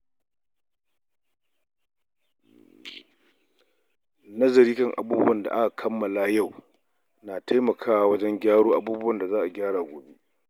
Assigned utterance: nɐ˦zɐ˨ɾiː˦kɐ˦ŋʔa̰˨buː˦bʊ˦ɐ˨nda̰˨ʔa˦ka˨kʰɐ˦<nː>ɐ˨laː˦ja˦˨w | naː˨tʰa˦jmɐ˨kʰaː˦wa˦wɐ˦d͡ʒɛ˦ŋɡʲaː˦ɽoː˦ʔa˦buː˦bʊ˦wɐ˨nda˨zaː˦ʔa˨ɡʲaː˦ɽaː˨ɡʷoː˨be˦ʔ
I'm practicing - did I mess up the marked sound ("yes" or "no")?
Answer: yes